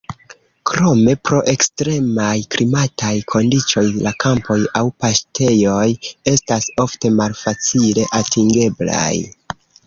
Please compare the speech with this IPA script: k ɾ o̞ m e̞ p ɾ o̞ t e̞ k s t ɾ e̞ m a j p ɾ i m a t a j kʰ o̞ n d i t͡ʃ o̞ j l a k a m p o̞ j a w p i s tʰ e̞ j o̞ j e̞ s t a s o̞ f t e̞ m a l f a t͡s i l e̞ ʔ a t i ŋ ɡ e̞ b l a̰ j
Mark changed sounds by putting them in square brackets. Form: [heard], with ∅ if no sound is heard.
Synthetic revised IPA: k ɾ o̞ m e̞ p ɾ o̞ [ʔ] e̞ k s t ɾ e̞ m a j [k] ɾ i m a t a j kʰ o̞ n d i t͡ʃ o̞ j l a k a m p o̞ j a w p [a] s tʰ e̞ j o̞ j e̞ s t a s o̞ f t e̞ m a l f a t͡s i l e̞ ʔ a t i ŋ ɡ e̞ b l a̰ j